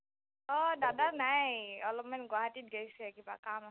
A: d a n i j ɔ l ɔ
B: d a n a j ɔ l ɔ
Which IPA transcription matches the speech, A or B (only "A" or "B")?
B